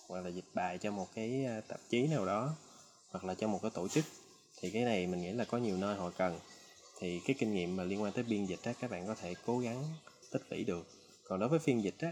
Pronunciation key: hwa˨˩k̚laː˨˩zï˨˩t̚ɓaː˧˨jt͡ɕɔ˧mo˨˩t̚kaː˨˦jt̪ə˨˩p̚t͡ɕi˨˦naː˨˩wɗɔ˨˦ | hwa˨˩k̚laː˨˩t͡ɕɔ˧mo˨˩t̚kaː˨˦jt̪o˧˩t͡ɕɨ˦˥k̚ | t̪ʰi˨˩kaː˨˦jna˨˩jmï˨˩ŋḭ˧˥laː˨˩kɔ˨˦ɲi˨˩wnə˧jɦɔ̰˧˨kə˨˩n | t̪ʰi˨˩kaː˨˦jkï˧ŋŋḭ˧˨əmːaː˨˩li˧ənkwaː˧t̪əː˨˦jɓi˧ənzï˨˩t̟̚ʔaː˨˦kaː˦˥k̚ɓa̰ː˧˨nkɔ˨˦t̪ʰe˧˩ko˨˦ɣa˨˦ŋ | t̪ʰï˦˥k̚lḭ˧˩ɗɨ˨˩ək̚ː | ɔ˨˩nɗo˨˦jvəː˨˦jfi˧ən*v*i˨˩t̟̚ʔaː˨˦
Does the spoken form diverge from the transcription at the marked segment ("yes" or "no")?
yes